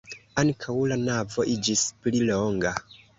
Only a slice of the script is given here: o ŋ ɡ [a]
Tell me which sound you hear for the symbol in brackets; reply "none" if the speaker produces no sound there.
a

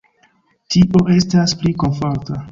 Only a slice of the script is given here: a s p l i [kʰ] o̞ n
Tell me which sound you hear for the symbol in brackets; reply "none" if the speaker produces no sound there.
k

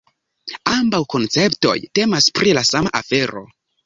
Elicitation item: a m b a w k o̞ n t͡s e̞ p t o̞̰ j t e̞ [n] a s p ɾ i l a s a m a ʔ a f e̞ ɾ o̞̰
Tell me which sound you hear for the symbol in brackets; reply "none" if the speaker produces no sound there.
m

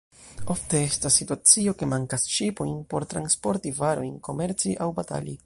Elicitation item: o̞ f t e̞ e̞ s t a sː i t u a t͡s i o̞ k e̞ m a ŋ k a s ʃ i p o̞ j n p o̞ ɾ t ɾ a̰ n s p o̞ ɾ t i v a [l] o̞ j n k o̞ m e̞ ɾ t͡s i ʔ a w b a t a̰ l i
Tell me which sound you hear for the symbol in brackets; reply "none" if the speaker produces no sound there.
ɾ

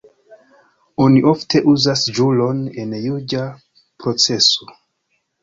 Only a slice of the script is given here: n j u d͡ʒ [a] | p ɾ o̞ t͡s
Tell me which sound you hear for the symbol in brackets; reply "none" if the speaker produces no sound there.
a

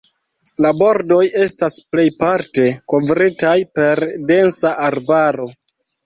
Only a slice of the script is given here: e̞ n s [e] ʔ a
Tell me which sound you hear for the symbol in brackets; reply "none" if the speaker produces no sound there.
a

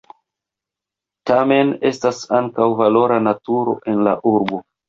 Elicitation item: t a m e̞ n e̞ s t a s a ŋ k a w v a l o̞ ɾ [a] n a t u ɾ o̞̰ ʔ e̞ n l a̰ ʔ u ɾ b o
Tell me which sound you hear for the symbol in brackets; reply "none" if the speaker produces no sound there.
a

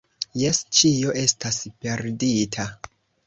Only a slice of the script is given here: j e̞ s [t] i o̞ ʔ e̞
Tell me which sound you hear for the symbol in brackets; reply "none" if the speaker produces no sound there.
t͡ʃ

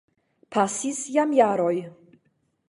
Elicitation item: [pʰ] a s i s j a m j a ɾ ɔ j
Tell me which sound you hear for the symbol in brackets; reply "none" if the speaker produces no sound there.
pʰ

